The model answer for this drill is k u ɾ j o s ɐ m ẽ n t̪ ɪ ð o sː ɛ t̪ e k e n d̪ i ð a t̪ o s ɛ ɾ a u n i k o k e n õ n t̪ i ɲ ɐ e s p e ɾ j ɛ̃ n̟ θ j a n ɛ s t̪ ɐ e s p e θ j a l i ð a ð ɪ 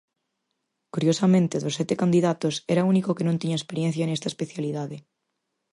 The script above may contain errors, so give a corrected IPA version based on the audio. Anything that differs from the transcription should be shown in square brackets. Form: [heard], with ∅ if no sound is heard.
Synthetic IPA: k u ɾ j o s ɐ m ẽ n t̪ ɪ ð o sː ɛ t̪ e k [a] n d̪ i ð a t̪ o s ɛ ɾ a u n i k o k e n õ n t̪ i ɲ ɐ e s p e ɾ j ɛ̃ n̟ θ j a n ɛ s t̪ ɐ e s p e θ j a l i ð a ð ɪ